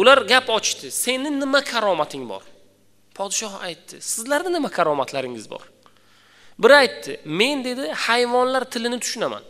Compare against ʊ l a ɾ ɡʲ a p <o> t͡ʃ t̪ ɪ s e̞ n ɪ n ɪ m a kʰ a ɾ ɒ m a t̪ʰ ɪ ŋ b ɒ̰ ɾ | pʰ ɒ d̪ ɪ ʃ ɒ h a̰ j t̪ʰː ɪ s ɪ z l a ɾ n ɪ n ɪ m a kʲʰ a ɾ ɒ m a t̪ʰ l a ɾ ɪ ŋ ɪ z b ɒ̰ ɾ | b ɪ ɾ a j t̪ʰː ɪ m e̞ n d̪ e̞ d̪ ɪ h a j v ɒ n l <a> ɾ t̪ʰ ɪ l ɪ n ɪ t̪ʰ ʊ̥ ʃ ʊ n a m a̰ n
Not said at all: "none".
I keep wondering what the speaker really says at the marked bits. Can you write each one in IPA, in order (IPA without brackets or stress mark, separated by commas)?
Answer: ɒ, a